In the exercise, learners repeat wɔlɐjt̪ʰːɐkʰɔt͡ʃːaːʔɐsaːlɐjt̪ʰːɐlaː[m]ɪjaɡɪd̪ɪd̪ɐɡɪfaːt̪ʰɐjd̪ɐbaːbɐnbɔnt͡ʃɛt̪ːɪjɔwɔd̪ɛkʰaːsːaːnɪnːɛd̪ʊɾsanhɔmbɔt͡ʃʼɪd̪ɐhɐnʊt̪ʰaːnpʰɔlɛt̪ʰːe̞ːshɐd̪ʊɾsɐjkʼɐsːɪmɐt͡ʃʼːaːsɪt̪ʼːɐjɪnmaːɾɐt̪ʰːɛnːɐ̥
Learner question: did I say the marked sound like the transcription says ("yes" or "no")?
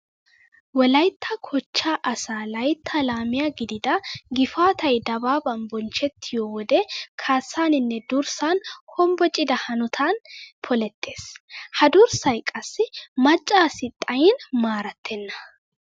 yes